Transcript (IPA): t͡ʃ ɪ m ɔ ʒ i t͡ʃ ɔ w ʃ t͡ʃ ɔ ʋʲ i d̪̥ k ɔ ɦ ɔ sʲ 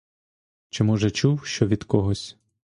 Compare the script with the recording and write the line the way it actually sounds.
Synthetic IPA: t͡ʃ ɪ m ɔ ʒ ɛ t͡ʃ u w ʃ t͡ʃ ɔ ʋʲ i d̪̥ k ɔ ɦ ɔ sʲ